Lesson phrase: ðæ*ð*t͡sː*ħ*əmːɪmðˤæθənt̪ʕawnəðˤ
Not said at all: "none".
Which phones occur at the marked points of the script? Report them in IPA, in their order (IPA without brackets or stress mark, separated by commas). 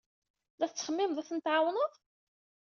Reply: θ, χ